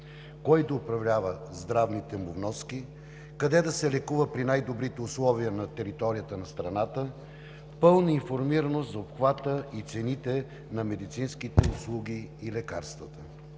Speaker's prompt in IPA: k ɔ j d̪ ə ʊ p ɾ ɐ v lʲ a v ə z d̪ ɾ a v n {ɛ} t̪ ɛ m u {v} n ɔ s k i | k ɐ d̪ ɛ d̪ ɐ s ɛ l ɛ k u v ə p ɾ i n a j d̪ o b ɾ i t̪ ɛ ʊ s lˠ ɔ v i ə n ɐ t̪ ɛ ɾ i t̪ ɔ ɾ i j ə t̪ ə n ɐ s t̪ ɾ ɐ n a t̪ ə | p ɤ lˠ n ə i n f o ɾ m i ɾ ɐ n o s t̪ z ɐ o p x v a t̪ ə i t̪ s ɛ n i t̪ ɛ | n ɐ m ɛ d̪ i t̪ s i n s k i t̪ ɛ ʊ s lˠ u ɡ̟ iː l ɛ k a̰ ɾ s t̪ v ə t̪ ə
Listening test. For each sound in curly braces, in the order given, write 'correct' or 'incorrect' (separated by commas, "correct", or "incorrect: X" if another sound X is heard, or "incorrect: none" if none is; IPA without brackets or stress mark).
incorrect: i, correct